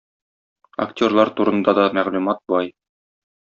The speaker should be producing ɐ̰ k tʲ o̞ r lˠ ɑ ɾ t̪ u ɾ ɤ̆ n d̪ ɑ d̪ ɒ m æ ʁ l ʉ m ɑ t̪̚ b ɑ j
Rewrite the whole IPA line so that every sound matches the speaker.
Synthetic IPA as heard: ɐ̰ k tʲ o̞ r lˠ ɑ ɾ t̪ u ɾ ɤ̆ n d̪ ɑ d̪ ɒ m æ ʁ l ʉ m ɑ t̪̚ b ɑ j